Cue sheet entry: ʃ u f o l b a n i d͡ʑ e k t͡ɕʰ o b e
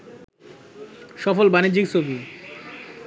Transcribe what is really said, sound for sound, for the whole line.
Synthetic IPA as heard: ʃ ɔ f o l b a n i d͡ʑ i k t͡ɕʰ o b i